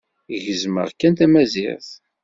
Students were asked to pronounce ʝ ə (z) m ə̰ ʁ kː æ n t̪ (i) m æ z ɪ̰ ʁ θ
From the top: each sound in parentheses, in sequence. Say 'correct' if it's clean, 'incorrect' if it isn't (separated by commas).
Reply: correct, incorrect